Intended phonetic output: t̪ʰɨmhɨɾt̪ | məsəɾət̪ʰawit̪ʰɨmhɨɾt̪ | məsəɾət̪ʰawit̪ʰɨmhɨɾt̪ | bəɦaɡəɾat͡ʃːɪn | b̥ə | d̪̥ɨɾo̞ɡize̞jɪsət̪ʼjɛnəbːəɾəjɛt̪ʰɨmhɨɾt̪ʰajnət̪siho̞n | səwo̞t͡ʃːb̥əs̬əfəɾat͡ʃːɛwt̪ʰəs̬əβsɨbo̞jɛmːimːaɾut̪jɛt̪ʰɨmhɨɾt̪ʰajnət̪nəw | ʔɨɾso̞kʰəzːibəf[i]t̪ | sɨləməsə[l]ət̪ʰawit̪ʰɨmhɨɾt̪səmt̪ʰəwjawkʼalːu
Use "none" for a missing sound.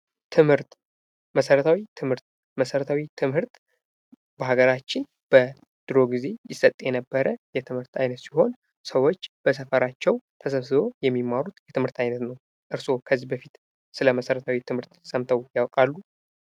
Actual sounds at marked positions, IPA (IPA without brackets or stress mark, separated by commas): i, ɾ